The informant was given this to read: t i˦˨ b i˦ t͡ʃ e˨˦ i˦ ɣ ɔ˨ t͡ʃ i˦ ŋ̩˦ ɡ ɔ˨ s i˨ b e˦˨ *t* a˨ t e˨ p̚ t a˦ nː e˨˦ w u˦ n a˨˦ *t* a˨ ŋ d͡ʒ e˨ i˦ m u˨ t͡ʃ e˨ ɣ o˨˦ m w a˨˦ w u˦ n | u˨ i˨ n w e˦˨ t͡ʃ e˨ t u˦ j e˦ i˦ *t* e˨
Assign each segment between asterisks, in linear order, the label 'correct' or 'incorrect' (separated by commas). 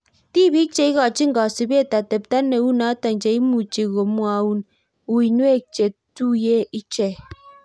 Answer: correct, correct, incorrect